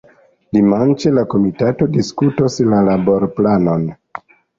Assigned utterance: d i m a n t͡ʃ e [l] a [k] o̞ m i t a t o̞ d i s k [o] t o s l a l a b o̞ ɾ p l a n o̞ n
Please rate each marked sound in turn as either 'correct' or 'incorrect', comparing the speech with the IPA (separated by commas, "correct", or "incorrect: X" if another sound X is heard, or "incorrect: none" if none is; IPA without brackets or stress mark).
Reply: correct, correct, incorrect: u